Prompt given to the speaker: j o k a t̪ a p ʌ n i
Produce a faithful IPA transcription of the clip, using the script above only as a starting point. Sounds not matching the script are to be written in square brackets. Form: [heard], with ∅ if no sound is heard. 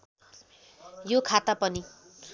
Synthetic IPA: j o [kʰ] a t̪ a p ʌ n i